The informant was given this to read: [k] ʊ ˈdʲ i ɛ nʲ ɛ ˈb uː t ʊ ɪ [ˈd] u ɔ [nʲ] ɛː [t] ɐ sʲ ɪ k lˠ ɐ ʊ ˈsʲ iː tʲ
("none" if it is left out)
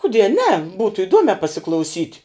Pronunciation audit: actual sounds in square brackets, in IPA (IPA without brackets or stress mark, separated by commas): k, d, mʲ, p